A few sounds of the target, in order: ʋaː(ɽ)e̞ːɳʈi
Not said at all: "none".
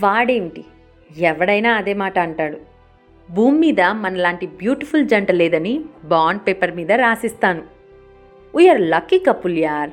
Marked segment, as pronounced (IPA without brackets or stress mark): ɽ